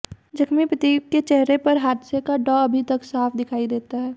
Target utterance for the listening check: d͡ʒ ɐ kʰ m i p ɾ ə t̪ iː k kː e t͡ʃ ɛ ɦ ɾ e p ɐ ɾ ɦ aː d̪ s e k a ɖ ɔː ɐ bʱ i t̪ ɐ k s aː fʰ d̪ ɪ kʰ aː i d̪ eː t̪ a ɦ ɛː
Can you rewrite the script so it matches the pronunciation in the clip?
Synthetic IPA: d͡ʒ ɐ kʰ m i p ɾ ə t̪ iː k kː e t͡ʃ ɛ ɦ ɾ e p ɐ ɾ ɦ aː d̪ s e k a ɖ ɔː ɐ bʱ i t̪ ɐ k s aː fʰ d̪ ɪ kʰ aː i d̪ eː t̪ a ɦ ɛː